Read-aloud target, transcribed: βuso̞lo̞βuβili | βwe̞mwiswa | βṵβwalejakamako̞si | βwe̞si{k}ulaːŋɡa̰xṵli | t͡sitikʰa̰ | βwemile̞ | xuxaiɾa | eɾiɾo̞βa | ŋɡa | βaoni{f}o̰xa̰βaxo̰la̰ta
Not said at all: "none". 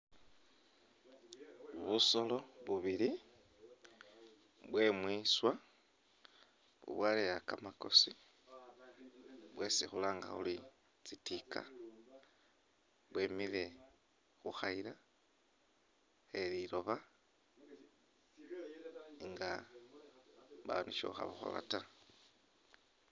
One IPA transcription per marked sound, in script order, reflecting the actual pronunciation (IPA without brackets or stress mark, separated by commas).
x, ʃ